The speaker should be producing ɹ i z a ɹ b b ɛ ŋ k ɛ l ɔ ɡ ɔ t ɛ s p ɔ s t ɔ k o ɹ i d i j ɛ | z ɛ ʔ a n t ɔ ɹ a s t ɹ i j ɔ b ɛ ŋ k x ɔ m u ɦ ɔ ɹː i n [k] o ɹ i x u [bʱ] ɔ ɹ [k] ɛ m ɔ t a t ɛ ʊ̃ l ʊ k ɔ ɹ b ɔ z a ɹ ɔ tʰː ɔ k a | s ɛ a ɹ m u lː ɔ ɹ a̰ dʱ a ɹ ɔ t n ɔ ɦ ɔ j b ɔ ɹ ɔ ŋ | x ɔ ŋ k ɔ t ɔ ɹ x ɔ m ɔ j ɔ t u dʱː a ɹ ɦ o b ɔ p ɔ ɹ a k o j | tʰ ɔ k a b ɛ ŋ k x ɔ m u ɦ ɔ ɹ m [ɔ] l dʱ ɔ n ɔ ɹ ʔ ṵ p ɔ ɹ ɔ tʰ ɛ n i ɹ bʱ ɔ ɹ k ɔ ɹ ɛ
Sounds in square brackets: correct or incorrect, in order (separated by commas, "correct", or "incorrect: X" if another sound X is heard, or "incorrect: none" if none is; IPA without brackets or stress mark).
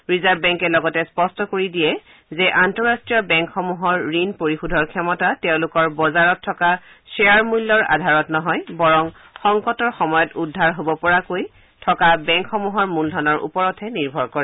incorrect: p, incorrect: dʱ, incorrect: kʰ, incorrect: u